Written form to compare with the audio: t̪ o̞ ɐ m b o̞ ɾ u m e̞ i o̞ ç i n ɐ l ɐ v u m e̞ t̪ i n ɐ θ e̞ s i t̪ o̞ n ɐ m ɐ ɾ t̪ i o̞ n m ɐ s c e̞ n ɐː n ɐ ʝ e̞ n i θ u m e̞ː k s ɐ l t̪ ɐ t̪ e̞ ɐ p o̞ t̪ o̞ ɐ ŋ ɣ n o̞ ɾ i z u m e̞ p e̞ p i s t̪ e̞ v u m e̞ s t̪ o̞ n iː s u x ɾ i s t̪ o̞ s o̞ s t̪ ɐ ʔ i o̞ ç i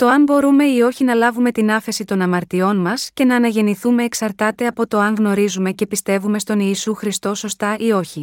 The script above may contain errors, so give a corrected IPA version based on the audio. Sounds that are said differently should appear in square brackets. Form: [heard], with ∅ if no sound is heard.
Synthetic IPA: t̪ o̞ ɐ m b o̞ ɾ u m e̞ i o̞ ç i n ɐ l ɐ v u m e̞ t̪ i n ɐ [f] e̞ s i t̪ o̞ n ɐ m ɐ ɾ t̪ i o̞ n m ɐ s c e̞ n ɐː n ɐ ʝ e̞ n i θ u m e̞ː k s ɐ [ɾ] t̪ ɐ t̪ e̞ ɐ p o̞ t̪ o̞ ɐ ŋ ɣ n o̞ ɾ i z u m e̞ [c] e̞ p i s t̪ e̞ v u m e̞ s t̪ o̞ n iː s u x ɾ i s t̪ o̞ s o̞ s t̪ ɐ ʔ i o̞ ç i